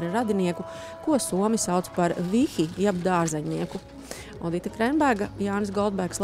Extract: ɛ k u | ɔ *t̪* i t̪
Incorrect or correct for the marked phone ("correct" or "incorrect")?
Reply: incorrect